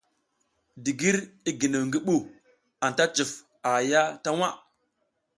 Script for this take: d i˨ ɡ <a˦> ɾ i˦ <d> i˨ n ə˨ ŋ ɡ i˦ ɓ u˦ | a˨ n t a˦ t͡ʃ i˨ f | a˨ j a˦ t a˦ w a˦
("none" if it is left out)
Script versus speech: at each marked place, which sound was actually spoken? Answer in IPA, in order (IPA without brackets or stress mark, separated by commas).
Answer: i˦, ɡ